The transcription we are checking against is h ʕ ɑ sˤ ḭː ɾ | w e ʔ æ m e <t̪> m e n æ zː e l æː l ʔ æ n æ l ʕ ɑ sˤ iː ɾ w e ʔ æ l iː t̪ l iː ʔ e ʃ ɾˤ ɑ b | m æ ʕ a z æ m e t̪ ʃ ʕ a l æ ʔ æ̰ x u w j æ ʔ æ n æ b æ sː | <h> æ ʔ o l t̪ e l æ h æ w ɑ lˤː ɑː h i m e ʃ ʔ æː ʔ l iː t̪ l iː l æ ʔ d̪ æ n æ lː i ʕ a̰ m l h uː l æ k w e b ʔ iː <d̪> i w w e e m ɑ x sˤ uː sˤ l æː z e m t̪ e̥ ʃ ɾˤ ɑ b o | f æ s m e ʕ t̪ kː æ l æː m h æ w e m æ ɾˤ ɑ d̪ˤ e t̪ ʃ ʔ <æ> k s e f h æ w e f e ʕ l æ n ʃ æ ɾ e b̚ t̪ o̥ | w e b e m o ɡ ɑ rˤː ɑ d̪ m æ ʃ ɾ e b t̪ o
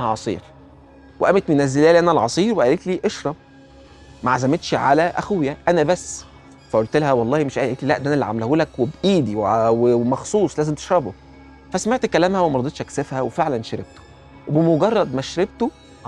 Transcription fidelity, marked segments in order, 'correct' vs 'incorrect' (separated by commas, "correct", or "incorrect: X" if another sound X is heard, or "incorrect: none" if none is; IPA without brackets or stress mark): correct, incorrect: f, correct, correct